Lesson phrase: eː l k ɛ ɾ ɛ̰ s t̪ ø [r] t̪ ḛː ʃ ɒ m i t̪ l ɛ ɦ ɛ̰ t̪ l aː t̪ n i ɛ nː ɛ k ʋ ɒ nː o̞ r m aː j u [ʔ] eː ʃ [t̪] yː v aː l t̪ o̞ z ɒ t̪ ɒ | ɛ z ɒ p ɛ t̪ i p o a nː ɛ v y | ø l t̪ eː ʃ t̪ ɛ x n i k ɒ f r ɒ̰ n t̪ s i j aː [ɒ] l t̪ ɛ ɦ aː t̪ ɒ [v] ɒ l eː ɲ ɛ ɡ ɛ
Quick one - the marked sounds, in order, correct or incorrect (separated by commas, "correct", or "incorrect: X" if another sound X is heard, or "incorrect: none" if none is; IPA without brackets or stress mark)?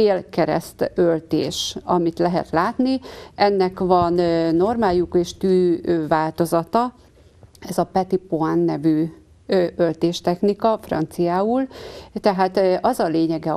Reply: incorrect: l, incorrect: k, correct, incorrect: u, incorrect: z